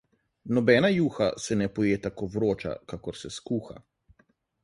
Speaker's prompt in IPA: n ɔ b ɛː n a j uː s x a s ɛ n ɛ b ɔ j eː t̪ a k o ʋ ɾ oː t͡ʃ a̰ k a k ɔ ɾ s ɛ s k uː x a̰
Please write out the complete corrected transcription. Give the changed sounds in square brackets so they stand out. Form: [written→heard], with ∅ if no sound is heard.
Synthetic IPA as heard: n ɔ b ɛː n a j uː [s→∅] x a s ɛ n ɛ [b→p] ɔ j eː t̪ a k o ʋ ɾ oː t͡ʃ a̰ k a k ɔ ɾ s ɛ s k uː x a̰